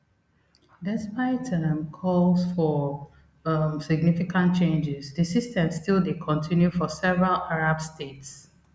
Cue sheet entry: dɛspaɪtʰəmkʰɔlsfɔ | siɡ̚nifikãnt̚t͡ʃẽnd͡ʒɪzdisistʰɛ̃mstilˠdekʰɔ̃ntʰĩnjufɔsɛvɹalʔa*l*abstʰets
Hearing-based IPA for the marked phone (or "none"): ɹ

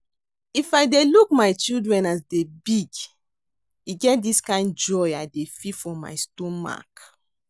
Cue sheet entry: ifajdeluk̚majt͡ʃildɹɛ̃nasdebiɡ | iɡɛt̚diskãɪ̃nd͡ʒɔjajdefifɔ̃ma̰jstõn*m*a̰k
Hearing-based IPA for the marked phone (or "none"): m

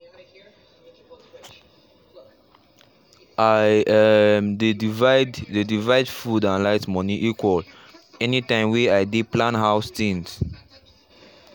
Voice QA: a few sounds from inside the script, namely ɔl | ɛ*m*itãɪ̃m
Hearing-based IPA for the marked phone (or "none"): n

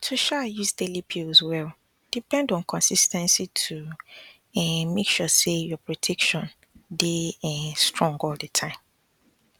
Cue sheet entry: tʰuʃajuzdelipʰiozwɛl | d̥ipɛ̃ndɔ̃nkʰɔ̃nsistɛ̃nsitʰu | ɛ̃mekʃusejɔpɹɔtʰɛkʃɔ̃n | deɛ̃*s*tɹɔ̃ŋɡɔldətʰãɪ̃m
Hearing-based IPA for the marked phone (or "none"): s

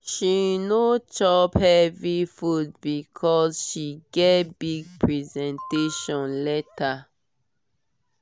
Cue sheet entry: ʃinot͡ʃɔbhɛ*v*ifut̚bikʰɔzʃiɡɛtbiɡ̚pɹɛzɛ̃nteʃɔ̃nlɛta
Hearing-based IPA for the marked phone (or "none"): v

